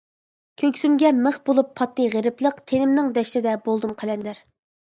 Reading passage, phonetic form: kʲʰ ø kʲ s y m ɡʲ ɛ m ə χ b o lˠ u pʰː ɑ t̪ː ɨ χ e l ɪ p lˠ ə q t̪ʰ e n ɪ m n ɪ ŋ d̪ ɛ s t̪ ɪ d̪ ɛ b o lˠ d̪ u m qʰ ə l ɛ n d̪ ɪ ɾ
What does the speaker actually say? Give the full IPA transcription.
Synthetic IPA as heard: kʲʰ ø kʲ s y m ɡʲ ɛ m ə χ b o lˠ u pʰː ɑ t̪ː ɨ ʁ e ɾ ɪ p lˠ ə q t̪ʰ e n ɪ m n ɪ ŋ d̪ ɛ ʃ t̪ ɪ d̪ ɛ b o lˠ d̪ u m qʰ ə l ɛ n d̪ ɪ ɾ